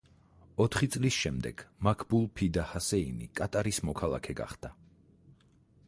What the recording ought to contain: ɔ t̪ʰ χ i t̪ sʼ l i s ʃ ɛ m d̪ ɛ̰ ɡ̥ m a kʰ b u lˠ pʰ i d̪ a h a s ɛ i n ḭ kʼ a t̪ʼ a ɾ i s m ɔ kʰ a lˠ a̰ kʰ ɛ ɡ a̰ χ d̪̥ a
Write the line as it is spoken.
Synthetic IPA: ɔ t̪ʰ χ i t̪ sʼ l i s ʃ ɛ m d̪ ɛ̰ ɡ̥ m a kʰ b u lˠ pʰ i d̪ a h a s ɛ i n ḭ kʼ a t̪ʼ a ɾ i s m ɔ kʰ a lˠ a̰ kʰ ɛ ɡ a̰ χ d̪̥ a